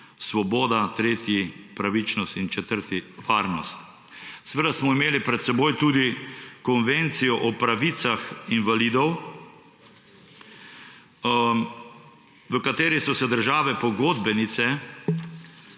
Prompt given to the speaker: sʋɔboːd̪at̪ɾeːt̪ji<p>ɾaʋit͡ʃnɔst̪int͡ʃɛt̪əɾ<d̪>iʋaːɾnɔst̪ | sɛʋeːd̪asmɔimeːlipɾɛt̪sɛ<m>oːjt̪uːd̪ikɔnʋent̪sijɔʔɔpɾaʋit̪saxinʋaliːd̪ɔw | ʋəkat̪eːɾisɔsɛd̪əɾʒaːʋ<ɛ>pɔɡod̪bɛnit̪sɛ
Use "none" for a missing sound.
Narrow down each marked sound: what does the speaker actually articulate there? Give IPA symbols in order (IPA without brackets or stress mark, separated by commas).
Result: p, t̪, b, ɛ